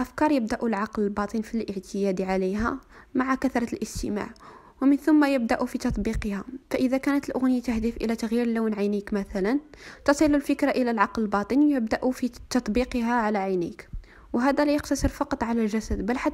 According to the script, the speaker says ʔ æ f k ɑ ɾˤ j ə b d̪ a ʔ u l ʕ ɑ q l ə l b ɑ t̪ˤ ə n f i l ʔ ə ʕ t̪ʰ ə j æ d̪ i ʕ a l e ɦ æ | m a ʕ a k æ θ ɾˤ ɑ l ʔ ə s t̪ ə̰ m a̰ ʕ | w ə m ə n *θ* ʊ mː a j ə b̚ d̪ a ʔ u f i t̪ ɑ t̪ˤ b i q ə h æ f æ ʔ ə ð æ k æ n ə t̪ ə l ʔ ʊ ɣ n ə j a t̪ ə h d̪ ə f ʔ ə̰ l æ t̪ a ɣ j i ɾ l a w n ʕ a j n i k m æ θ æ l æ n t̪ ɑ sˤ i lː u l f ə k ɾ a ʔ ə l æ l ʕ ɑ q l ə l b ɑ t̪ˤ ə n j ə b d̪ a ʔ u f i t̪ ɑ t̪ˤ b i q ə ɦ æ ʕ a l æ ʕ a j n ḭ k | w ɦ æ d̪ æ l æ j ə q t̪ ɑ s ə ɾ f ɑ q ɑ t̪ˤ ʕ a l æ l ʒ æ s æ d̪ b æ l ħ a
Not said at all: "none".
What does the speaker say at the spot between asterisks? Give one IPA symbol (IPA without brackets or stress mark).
θ